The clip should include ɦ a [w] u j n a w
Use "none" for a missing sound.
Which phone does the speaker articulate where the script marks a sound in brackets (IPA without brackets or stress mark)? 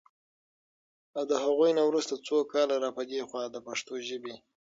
ɣ